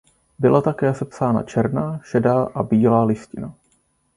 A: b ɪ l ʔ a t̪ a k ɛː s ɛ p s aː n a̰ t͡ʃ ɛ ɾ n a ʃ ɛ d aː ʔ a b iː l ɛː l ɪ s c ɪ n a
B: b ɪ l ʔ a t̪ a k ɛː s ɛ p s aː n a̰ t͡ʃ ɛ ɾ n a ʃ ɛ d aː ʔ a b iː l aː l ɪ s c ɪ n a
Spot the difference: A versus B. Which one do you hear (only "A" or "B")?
B